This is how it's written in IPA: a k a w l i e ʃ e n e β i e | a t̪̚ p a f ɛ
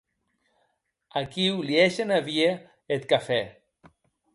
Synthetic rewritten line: a k i w l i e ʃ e n a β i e | e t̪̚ k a f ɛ